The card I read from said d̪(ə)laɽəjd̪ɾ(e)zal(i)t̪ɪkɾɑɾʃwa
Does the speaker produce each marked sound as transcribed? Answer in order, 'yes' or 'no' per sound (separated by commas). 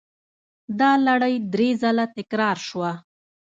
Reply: no, yes, no